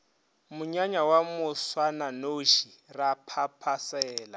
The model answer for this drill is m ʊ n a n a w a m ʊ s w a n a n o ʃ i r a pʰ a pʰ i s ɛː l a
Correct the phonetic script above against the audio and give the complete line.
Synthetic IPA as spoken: m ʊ ɲ a ɲ a w a m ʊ s w a n a n o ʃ i r a pʰ a pʰ a s ɛː l a

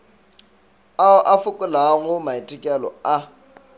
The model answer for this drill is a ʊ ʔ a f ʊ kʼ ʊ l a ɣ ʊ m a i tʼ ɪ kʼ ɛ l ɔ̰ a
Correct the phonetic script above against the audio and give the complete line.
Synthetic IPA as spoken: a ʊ ʔ a f ʊ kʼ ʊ l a ɣ ʊ m a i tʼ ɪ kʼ ɛ l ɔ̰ a

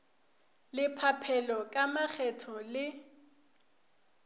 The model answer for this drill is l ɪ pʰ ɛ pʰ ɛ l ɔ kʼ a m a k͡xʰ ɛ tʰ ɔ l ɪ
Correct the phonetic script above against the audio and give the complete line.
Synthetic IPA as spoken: l ɪ pʰ a pʰ ɛ l ɔ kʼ a m a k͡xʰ ɛ tʰ ɔ l ɪ

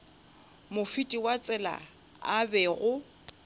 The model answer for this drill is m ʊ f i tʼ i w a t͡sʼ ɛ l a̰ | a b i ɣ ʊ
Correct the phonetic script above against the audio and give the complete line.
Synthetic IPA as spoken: m ʊ f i tʼ i w a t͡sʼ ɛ l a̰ | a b ɛ ɣ ʊ

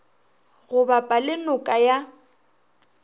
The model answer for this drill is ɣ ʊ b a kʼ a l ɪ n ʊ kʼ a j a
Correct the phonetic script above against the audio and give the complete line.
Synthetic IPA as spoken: ɣ ʊ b a pʼ a l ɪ n ʊ kʼ a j a

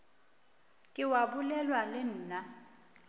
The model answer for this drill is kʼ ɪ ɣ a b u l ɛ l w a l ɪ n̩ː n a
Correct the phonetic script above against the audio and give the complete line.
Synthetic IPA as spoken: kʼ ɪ w a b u l ɛ l w a l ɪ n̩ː n a

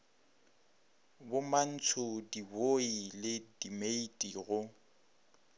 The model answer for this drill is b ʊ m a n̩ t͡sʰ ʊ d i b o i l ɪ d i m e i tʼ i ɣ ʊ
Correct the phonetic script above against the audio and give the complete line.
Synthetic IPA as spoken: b ʊ m a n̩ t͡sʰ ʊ d i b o i l ɪ d i m e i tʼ i ɣ ʊ

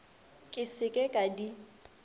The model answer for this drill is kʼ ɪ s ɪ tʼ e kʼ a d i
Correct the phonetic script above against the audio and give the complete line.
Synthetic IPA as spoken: kʼ ɪ s ɪ kʼ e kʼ a d i

